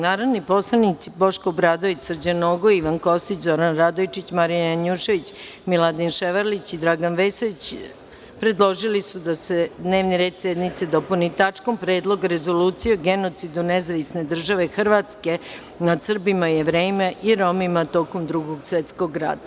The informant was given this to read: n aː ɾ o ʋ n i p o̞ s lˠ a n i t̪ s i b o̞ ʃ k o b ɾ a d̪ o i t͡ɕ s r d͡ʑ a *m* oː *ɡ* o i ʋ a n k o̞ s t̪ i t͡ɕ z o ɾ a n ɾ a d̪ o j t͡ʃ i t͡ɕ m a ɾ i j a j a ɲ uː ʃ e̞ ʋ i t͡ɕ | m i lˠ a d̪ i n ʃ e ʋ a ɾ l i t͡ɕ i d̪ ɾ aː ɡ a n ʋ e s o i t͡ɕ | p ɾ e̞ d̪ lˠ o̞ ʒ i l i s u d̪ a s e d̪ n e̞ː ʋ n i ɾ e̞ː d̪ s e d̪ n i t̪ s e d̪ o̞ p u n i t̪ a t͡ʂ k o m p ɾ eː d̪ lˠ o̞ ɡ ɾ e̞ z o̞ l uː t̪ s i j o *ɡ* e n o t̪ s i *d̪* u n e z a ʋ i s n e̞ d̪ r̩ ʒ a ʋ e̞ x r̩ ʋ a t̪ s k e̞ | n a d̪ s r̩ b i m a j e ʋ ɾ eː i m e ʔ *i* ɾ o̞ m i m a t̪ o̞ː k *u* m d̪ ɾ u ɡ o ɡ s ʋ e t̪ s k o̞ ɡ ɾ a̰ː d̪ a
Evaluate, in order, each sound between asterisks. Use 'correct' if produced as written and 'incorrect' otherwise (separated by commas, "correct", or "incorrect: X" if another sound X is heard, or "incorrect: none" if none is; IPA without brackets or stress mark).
incorrect: n, correct, correct, correct, correct, incorrect: o